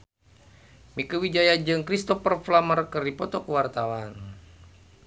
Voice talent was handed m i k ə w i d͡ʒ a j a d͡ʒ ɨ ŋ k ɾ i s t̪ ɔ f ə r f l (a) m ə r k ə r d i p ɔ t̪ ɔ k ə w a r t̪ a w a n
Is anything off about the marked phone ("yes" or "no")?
no